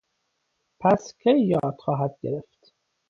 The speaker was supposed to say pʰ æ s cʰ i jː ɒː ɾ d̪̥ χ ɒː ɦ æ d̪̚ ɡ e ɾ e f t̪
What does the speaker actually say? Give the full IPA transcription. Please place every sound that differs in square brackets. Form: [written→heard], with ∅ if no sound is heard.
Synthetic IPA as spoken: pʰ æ s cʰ [i→e] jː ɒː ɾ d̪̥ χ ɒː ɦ æ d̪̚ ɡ e ɾ e f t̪